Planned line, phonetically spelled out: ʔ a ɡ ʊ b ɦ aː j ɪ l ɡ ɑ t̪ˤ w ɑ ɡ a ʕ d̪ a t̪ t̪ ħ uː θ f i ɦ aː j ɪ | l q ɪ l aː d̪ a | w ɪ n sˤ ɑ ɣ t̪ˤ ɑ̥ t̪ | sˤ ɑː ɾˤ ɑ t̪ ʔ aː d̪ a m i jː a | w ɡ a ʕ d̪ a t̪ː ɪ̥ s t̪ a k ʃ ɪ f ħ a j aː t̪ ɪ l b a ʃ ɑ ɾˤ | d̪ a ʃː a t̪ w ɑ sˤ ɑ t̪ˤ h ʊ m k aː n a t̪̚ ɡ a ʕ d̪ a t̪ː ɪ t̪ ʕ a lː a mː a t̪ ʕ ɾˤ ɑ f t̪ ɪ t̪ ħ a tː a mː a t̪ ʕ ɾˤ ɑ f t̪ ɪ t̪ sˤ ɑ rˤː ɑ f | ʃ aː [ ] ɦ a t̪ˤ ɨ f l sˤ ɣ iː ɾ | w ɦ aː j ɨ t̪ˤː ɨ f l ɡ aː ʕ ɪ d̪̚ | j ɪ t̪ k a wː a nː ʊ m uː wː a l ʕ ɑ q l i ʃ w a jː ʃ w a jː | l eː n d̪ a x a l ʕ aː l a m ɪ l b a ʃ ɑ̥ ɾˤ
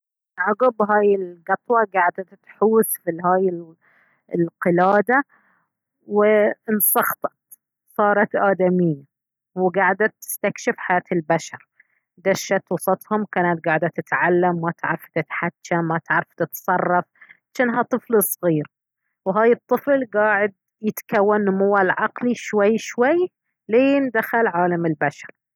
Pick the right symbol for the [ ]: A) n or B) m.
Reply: A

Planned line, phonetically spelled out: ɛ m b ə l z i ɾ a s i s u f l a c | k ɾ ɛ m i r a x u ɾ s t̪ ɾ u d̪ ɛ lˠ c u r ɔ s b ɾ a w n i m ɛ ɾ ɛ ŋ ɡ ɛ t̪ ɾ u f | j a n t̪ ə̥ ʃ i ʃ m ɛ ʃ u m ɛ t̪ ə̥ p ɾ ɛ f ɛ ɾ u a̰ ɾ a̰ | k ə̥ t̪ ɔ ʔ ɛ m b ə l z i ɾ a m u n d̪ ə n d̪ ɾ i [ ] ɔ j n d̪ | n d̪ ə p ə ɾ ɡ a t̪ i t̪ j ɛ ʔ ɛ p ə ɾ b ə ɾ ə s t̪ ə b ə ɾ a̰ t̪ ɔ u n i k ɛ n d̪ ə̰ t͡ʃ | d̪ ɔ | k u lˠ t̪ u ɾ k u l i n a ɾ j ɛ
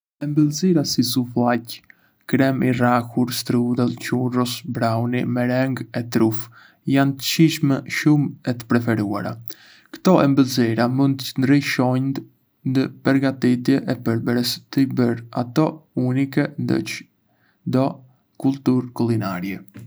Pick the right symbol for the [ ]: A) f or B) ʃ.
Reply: B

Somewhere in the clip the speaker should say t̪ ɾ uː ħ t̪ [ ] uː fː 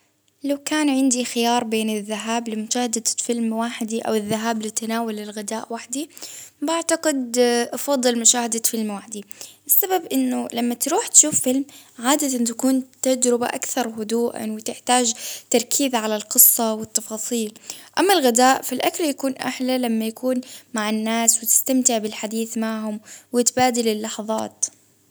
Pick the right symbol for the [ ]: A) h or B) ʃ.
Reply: B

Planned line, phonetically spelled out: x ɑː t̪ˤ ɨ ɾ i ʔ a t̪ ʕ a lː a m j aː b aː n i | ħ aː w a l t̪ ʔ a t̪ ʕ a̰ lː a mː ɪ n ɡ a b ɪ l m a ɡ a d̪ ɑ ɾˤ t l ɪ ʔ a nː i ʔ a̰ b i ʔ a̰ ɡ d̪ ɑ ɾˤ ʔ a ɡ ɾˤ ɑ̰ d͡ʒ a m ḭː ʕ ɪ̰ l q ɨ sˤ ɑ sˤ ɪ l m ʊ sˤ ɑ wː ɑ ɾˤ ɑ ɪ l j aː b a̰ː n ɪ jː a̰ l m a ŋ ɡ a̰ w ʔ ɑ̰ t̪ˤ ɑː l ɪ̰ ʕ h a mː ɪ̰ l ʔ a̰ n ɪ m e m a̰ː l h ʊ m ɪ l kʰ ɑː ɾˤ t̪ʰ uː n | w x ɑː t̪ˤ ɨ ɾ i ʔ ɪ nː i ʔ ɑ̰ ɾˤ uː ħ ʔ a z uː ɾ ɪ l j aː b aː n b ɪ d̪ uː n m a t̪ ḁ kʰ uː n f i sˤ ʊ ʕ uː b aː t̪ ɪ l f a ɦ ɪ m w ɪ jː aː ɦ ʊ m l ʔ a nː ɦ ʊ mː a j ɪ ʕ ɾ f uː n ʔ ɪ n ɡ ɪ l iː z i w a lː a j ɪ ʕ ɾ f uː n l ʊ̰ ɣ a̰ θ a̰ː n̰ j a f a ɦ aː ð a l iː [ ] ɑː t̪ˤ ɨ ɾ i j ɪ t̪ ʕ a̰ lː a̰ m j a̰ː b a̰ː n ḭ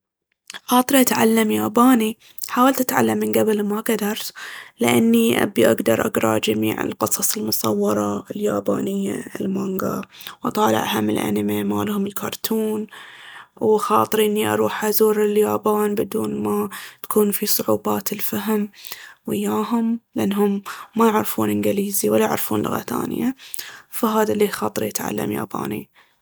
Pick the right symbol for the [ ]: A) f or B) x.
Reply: B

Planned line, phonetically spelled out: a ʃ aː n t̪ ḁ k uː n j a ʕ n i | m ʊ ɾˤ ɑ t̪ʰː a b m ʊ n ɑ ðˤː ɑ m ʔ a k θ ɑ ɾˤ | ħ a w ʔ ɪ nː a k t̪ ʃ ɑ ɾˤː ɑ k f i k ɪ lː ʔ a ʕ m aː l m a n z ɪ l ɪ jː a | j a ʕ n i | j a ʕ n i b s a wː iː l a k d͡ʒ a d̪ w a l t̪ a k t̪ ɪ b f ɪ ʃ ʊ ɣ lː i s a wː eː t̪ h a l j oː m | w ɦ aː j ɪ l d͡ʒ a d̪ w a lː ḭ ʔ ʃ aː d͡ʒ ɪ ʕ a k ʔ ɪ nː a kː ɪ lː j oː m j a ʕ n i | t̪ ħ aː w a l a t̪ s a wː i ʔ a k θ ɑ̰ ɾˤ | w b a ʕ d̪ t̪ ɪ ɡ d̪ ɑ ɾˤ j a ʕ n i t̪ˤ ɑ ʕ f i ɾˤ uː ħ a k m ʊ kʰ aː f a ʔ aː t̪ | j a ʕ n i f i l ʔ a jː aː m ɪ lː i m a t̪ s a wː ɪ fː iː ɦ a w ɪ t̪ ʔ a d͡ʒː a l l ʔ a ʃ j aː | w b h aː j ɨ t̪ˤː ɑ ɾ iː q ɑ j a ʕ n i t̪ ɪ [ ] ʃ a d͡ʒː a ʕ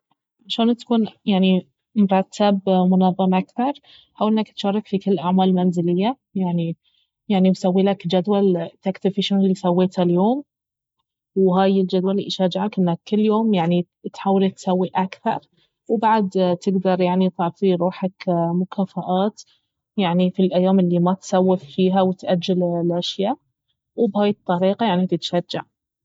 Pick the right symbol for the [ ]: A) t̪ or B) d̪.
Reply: A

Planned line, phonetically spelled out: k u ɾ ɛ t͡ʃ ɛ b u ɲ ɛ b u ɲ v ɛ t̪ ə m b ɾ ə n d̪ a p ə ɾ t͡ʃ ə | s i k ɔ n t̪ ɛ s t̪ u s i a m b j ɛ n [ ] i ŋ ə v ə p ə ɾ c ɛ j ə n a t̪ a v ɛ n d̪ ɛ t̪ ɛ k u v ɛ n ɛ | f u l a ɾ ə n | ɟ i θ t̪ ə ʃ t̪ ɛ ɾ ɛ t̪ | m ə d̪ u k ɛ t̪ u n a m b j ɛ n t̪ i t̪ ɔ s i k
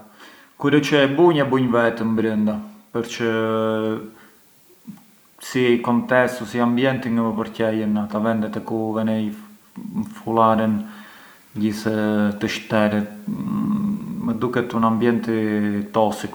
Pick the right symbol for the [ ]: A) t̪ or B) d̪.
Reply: A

